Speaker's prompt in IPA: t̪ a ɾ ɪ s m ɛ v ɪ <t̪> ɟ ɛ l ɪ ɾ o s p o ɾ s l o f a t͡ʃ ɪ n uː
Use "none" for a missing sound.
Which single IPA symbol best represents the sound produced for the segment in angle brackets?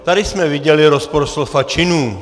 none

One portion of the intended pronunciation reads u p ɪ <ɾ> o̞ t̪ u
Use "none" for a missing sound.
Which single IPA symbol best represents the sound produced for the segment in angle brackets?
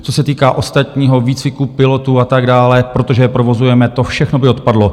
l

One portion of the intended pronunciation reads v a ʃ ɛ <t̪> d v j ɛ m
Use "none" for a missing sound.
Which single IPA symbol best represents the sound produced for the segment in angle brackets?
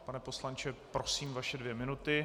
none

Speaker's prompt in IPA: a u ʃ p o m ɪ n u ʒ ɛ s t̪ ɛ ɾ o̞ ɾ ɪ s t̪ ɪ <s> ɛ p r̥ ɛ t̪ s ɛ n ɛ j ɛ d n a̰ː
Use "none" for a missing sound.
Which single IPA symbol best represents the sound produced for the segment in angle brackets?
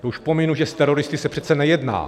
s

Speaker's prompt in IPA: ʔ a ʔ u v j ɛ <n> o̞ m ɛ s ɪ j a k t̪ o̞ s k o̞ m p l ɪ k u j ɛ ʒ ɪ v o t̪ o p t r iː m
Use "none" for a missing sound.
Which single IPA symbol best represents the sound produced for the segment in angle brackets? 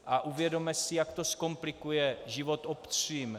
d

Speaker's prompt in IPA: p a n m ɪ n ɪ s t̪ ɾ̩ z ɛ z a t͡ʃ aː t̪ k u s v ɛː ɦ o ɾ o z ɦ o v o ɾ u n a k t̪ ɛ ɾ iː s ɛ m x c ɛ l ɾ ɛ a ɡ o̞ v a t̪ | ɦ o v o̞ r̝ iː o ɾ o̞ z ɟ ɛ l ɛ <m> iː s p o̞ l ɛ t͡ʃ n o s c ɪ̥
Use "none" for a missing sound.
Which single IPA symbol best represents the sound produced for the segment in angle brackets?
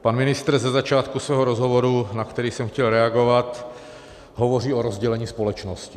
ɲ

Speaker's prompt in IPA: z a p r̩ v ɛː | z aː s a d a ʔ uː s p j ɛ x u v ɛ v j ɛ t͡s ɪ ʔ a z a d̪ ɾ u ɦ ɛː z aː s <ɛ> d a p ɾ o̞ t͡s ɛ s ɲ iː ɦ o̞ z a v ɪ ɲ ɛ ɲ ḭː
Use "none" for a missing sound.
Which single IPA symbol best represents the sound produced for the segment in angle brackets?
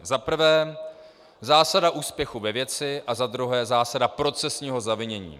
a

